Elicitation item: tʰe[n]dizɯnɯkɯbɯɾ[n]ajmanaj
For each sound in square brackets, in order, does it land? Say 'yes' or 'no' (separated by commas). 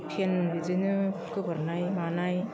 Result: yes, yes